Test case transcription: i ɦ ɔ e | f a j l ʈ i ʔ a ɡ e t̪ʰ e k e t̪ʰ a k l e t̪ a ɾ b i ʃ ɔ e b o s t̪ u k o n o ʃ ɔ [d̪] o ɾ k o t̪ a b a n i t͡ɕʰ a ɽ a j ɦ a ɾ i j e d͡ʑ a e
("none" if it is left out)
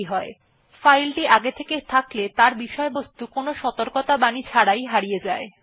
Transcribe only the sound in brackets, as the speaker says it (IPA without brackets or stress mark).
t̪